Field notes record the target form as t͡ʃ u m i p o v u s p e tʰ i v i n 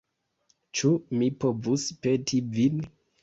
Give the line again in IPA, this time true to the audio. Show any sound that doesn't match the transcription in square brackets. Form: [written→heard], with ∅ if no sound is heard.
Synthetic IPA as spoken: t͡ʃ u m i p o v u s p e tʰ i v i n

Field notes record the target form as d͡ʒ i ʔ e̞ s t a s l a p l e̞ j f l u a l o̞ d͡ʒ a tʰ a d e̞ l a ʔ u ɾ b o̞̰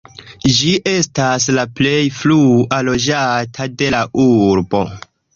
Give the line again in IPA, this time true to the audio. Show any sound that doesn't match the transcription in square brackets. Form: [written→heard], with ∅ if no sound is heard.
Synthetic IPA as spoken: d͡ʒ i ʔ e̞ s t a s l a p l e̞ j f l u a l o̞ d͡ʒ a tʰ a d e̞ l a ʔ u ɾ b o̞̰

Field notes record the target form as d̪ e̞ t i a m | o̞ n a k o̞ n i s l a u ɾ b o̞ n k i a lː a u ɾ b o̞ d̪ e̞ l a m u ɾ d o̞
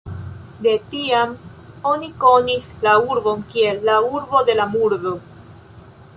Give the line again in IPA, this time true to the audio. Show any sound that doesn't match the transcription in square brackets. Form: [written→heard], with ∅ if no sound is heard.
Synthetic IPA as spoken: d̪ e̞ t i a m | o̞ n [a→i] k o̞ n i s l a u ɾ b o̞ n k i [a→e] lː a u ɾ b o̞ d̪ e̞ l a m u ɾ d o̞

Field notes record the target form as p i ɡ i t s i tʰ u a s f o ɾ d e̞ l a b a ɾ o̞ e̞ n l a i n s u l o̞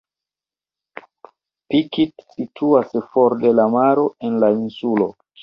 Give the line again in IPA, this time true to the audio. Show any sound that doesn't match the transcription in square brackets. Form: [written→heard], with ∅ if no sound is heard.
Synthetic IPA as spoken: p i [ɡ→k] i t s i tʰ u a s f o ɾ d e̞ l a [b→m] a ɾ o̞ e̞ n l a i n s u l o̞

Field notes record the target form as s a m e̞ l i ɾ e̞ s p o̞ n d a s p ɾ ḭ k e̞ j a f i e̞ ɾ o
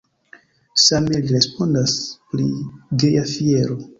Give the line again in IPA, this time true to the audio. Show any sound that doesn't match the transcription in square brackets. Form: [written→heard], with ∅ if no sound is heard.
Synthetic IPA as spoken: s a m e̞ l i ɾ e̞ s p o̞ n d a s p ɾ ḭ [k→ɡ] e̞ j a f i e̞ ɾ o

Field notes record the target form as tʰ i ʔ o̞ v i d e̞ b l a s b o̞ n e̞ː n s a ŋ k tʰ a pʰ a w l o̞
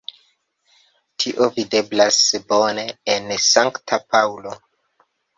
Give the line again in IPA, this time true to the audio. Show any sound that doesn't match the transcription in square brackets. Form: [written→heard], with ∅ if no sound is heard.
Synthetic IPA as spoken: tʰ i ʔ o̞ v i d e̞ b l a s b o̞ n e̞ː n s a ŋ k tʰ a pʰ a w l o̞

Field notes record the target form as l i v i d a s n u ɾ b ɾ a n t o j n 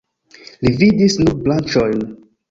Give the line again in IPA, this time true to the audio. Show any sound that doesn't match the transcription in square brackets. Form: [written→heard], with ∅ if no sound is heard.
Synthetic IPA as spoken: l i v i d [a→i] s n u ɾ b [ɾ→l] a n [t→t͡ʃ] o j n

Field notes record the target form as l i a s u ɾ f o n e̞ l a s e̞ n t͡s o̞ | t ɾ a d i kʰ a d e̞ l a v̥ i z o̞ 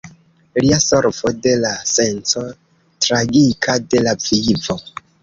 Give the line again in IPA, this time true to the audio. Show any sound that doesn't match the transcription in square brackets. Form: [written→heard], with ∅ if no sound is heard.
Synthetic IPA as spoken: l i a s [u→o] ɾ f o [n→d] e̞ l a s e̞ n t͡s o̞ | t ɾ a [d→ɡ] i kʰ a d e̞ l a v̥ i [z→v] o̞

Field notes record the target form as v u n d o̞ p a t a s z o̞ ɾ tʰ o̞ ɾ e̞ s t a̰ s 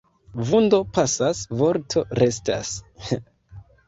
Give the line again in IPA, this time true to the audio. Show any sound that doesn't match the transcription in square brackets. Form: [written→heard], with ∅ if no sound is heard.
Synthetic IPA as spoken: v u n d o̞ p a [t→s] a s [z→v] o̞ ɾ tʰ o̞ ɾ e̞ s t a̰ s

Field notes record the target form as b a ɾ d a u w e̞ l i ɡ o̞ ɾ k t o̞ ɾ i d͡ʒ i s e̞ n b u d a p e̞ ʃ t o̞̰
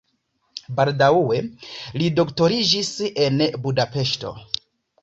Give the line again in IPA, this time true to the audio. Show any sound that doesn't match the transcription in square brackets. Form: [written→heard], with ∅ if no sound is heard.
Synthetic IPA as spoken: b a [ɾ→l] d a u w e̞ l i [ɡ→d] o̞ [ɾ→∅] k t o̞ ɾ i d͡ʒ i s e̞ n b u d a p e̞ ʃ t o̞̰

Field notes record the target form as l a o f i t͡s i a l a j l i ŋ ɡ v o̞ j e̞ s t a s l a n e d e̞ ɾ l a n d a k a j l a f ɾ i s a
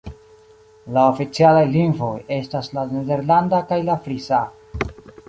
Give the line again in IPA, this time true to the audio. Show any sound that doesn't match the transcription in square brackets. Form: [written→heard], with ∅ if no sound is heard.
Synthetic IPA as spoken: l a o f i t͡s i a l a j l i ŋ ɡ v o̞ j e̞ s t a s l a n e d e̞ ɾ l a n d a k a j l a f ɾ i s a

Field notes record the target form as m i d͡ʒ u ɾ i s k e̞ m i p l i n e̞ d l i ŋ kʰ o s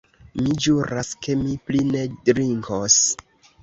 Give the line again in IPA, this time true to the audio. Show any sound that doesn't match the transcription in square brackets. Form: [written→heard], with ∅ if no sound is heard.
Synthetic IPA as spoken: m i d͡ʒ u ɾ [i→a] s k e̞ m i p l i n e̞ d [l→ɾ] i ŋ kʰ o s

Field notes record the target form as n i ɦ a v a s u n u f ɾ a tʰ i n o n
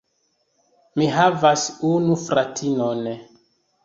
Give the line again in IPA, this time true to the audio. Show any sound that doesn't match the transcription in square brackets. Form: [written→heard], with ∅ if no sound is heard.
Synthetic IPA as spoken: [n→m] i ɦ a v a s u n u f ɾ a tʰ i n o n

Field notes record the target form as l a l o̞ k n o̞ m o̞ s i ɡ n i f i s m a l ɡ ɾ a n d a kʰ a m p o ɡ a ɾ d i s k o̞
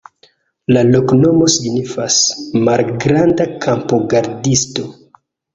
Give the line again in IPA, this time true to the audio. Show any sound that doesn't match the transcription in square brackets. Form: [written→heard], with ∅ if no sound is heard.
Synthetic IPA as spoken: l a l o̞ k n o̞ m o̞ s i ɡ n i f [i→a] s m a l ɡ ɾ a n d a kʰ a m p o ɡ a ɾ d i s [k→t] o̞

